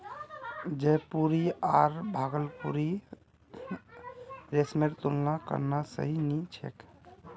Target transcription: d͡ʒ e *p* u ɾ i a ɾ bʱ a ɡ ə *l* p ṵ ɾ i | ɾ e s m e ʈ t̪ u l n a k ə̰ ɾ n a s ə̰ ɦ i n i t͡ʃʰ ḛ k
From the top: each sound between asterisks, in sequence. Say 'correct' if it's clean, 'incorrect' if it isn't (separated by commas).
correct, correct